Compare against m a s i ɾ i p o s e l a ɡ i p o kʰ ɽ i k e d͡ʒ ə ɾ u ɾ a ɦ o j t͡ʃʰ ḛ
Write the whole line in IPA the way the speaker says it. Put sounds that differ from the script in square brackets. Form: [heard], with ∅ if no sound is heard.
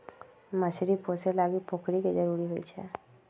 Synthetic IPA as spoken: m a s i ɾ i p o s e l a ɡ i p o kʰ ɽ i k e d͡ʒ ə ɾ u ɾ [i] ɦ o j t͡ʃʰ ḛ